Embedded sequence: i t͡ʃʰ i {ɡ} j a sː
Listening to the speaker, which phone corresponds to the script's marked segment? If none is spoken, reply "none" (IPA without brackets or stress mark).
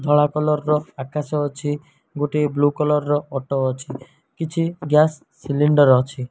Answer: ɡ